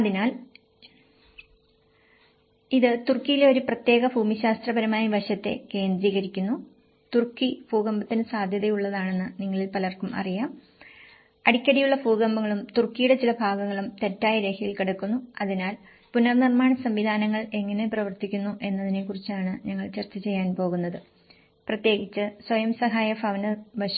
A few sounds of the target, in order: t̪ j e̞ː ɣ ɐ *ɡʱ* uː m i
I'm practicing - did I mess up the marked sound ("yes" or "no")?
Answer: yes